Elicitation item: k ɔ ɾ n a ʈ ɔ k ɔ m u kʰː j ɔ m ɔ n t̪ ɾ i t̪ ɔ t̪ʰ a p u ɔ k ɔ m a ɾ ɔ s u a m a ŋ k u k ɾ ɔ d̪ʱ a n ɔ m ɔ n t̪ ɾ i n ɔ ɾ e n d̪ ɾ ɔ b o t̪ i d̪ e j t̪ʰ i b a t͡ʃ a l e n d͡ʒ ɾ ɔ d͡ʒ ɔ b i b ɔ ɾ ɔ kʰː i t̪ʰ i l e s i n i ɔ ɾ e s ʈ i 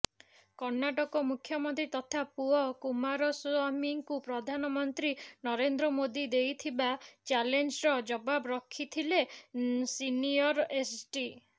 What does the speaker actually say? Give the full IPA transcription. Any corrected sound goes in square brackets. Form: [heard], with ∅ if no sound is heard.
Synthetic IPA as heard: k ɔ ɾ n a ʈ ɔ k ɔ m u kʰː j ɔ m ɔ n t̪ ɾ i t̪ ɔ t̪ʰ a p u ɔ k [u] m a ɾ ɔ s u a m [i] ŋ k u [p] ɾ ɔ d̪ʱ a n ɔ m ɔ n t̪ ɾ i n ɔ ɾ e n d̪ ɾ ɔ [m] o [d̪] i d̪ e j t̪ʰ i b a t͡ʃ a l e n d͡ʒ ɾ ɔ d͡ʒ ɔ b [a] b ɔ ɾ ɔ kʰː i t̪ʰ i l e s i n i ɔ ɾ e s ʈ i